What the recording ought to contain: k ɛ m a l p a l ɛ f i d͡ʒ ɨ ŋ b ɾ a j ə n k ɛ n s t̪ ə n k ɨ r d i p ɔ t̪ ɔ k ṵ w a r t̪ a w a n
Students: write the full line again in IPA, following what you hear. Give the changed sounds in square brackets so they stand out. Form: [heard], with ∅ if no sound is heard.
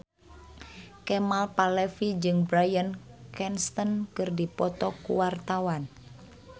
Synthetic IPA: k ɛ m a l p a l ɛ f i d͡ʒ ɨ ŋ b ɾ a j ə n k ɛ n s t̪ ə n k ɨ r d i p ɔ t̪ ɔ k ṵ w a r t̪ a w a n